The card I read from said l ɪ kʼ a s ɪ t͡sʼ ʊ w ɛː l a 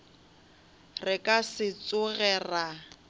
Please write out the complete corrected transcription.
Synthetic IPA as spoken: r ɪ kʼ a s ɪ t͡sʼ ʊ ɣ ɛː r a